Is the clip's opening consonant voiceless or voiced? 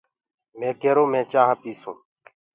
voiced